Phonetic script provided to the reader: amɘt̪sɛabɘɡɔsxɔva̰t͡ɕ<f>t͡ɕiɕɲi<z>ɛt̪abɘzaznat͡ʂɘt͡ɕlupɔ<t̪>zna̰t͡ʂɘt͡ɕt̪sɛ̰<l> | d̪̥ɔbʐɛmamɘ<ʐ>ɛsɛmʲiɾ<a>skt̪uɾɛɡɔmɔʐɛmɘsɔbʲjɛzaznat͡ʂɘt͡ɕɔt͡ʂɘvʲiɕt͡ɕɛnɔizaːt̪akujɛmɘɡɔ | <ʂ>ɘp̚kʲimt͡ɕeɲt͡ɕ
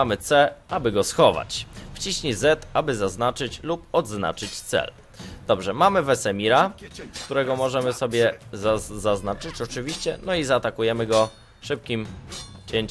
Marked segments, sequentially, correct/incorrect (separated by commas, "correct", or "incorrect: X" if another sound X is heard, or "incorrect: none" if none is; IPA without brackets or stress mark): correct, correct, incorrect: d̪, correct, incorrect: v, correct, correct